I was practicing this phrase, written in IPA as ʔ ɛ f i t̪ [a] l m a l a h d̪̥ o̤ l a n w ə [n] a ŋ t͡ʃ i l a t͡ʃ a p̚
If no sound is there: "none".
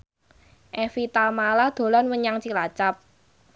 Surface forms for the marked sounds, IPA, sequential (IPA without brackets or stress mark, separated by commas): a, ɲ